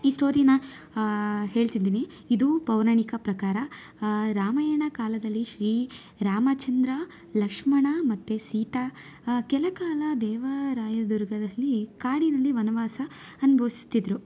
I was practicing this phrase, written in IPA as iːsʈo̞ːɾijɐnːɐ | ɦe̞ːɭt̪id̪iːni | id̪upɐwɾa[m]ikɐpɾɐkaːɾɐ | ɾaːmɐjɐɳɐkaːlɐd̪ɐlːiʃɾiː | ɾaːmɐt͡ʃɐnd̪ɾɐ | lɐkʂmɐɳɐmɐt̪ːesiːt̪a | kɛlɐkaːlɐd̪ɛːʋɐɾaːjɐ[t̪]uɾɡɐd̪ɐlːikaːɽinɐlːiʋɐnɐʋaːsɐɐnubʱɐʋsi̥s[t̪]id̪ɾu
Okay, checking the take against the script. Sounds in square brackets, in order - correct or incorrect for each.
incorrect: ɳ, incorrect: d̪, correct

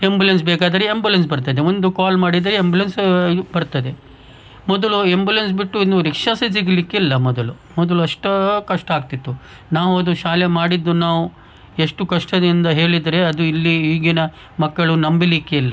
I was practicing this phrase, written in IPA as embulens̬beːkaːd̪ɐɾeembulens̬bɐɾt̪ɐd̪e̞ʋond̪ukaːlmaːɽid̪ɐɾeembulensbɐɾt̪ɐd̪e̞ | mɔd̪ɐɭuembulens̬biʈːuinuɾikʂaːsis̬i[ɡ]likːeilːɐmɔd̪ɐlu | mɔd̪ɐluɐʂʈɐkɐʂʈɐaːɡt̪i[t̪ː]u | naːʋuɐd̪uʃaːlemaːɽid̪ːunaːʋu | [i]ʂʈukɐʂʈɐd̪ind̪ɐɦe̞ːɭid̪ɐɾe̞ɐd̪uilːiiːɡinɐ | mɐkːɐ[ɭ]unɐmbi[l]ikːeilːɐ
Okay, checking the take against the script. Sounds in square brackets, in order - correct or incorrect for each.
correct, correct, incorrect: e, correct, correct

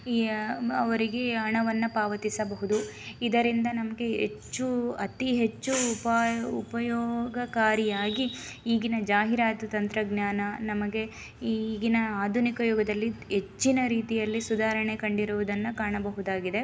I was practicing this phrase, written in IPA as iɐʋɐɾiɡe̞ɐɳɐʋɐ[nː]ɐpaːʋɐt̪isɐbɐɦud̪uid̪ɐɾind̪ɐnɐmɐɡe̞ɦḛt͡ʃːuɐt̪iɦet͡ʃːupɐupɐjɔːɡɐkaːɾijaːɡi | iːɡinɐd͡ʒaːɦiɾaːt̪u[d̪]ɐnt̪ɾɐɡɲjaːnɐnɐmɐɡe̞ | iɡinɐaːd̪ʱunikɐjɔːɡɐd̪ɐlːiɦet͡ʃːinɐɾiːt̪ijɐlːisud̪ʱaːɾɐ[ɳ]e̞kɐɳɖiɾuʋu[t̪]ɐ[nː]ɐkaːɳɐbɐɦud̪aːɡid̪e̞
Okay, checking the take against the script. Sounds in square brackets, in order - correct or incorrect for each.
correct, incorrect: t̪, correct, incorrect: d̪, correct

